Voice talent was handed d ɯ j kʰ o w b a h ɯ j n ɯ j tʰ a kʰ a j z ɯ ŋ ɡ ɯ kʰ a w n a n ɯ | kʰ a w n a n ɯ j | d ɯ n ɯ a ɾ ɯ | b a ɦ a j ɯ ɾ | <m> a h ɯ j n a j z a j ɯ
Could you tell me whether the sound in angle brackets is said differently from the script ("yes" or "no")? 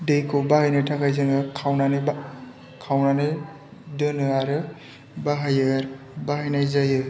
yes